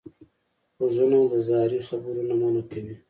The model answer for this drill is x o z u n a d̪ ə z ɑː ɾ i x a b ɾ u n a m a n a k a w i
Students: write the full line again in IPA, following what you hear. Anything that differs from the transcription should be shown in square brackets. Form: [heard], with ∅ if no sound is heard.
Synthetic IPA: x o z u n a d̪ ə z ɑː ɾ i x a b ɾ u n a m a n a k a w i

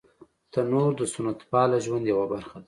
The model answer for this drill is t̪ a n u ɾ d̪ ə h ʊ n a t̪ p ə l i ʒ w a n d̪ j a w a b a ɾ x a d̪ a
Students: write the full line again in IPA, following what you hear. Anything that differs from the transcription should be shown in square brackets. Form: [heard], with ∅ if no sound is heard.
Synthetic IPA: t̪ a n [o] ɾ d̪ ə [s] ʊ n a t̪ p [ɑ] l [a] ʒ w a n d̪ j a w a b a ɾ x a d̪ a

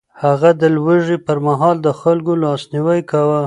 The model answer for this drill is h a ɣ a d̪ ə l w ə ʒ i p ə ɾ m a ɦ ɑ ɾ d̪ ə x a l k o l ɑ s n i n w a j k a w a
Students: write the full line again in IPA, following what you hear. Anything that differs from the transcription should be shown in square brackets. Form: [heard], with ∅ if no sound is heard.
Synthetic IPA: h a ɣ a d̪ ə l w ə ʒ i p ə ɾ m a ɦ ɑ [l] d̪ ə x a l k o l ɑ s n i [∅] w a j k a w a

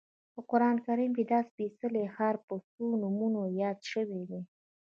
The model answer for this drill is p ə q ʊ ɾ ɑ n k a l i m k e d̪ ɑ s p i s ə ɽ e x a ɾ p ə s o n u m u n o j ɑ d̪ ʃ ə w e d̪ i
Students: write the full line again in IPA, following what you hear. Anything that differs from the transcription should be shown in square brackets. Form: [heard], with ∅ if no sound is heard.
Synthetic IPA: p ə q ʊ ɾ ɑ n k a [ɾ] i m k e d̪ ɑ s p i s ə [l] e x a ɾ p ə s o n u m u n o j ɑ d̪ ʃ ə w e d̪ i

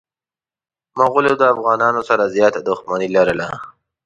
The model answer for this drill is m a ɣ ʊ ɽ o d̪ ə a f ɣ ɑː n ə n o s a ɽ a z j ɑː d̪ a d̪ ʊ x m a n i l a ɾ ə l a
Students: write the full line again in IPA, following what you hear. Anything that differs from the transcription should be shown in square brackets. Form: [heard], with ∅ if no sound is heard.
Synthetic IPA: m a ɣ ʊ [l] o d̪ ə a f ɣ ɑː n [ɑ] n o s a [ɾ] a z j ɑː [t̪] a d̪ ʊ x m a n i l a ɾ ə l a

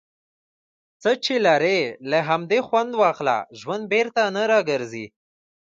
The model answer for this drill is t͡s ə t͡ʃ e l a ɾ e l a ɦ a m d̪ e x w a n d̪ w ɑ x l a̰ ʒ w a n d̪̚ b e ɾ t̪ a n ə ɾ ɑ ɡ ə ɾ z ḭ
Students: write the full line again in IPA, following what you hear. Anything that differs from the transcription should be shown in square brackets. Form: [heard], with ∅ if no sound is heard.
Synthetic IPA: t͡s ə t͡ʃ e l a ɾ e l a ɦ a m d̪ e x w a n d̪ w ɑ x l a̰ ʒ w a n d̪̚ b e ɾ t̪ a n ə ɾ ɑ ɡ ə ɾ z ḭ

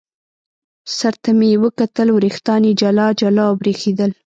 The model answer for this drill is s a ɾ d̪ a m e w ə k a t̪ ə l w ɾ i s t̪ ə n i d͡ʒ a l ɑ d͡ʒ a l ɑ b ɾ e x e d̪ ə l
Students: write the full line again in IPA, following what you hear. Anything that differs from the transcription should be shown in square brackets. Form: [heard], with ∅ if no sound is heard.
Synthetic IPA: s a ɾ [t̪] a m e w ə k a t̪ ə l w ɾ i [x] t̪ [ɑ] n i d͡ʒ a l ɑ d͡ʒ a l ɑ b ɾ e x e d̪ ə l

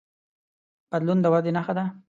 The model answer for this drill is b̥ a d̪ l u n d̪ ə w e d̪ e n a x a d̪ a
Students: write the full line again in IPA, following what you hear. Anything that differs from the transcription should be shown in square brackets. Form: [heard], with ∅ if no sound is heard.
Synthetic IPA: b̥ a d̪ l u n d̪ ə w [a] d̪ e n a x a d̪ a

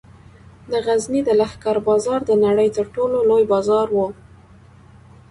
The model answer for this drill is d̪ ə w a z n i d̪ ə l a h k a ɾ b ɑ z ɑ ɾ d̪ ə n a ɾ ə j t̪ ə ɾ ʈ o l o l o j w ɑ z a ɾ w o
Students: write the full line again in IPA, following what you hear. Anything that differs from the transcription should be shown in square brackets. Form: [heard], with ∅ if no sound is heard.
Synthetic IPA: d̪ ə [ɣ] a z n i d̪ ə l a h k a ɾ b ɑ z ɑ ɾ d̪ ə n a [ɽ] ə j t̪ ə ɾ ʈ o l o l o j [b] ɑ z [ɑ] ɾ w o

